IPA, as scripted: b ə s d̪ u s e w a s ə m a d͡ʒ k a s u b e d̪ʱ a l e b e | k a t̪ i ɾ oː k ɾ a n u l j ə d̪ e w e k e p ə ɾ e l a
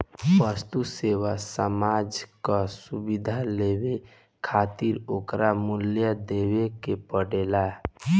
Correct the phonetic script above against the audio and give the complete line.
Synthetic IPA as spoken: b ə s t̪ u s e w a s ə m a d͡ʒ k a s u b i d̪ʱ a l e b e | kʰ a t̪ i ɾ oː k ɾ a m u l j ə d̪ e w e k e p ə ɽ e l a